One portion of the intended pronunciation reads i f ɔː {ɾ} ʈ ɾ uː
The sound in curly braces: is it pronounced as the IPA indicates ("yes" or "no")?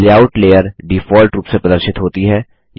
no